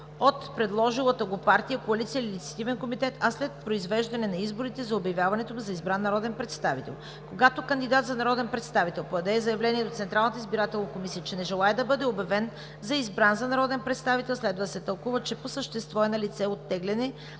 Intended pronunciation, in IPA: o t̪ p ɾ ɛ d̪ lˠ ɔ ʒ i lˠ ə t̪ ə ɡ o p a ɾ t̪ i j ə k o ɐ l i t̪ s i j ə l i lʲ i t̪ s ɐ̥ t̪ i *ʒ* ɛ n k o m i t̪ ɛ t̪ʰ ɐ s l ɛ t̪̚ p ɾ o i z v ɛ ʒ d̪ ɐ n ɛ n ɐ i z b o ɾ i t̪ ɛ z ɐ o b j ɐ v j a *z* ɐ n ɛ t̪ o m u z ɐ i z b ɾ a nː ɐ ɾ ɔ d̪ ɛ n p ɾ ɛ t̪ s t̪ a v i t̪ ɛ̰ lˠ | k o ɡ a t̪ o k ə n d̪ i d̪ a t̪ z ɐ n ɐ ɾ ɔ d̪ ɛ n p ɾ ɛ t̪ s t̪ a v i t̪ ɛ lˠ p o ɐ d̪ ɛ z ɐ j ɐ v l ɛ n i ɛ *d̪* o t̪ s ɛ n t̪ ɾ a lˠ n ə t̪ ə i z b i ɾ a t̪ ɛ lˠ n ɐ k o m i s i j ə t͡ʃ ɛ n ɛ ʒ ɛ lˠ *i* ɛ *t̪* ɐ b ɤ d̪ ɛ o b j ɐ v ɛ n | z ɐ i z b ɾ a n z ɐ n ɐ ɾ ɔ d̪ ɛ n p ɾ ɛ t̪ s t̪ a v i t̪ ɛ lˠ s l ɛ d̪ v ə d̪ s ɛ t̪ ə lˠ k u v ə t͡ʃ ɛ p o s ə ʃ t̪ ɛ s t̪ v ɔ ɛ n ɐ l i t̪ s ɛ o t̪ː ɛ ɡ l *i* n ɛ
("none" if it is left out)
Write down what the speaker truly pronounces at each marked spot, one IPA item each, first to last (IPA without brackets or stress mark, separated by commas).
v, v, d̪, a, d̪, ɛ